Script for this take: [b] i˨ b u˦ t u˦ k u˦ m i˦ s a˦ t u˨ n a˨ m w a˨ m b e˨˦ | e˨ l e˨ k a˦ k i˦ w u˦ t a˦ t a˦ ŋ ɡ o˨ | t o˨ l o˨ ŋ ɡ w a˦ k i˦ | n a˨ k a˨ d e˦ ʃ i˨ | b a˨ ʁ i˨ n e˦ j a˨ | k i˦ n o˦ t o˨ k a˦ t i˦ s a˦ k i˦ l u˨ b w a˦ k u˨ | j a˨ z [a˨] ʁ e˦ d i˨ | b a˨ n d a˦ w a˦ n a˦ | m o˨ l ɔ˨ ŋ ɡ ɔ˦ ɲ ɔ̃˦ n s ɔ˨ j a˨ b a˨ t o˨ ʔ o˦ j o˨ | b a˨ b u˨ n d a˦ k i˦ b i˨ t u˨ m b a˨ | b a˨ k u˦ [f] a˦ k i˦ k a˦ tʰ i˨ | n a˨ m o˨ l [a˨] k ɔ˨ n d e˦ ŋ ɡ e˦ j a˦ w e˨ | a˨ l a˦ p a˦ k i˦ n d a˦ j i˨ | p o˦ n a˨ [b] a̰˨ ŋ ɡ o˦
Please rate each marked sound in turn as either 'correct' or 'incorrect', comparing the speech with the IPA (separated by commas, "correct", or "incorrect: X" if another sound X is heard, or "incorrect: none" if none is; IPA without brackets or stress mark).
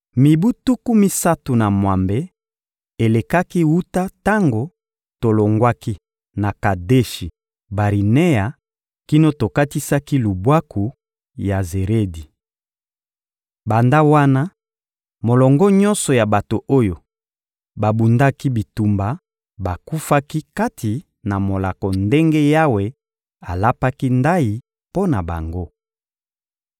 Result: incorrect: m, incorrect: e˨, correct, correct, correct